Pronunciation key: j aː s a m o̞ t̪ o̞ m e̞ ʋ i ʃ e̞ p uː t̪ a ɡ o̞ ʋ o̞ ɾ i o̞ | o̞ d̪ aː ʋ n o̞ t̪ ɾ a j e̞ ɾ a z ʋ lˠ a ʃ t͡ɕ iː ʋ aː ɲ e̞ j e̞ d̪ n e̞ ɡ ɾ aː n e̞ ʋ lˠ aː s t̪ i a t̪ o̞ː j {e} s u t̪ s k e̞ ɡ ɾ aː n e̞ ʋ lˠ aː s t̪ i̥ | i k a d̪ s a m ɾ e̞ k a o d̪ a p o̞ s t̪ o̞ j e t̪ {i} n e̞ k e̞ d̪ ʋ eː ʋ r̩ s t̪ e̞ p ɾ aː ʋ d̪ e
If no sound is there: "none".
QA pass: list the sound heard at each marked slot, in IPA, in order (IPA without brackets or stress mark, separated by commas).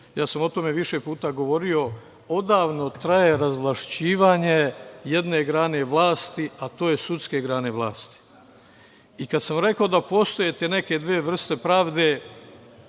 e, e